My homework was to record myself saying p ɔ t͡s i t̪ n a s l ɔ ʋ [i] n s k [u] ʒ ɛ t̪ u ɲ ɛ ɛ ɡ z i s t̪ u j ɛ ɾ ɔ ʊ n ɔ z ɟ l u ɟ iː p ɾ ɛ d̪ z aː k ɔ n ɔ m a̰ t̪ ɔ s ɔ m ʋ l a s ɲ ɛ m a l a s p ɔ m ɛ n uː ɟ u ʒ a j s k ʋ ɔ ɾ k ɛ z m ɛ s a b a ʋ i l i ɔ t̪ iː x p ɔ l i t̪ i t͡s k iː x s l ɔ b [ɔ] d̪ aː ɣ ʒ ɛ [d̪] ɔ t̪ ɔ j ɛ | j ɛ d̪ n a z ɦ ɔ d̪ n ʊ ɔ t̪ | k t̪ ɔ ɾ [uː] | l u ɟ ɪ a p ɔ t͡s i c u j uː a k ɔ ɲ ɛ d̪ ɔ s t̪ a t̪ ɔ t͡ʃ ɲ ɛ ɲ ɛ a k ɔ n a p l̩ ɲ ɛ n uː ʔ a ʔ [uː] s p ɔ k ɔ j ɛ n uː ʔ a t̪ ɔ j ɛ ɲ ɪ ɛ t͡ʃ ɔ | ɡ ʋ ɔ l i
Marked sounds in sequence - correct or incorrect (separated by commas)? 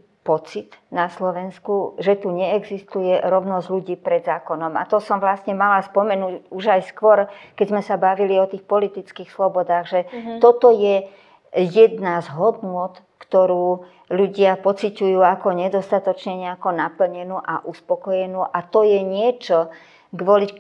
incorrect, correct, correct, incorrect, correct, incorrect